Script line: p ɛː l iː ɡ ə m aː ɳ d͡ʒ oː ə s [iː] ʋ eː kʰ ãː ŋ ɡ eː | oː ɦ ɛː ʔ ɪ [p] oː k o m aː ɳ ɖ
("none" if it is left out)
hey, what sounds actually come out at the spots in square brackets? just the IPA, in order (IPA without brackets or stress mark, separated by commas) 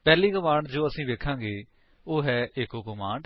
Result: ĩː, k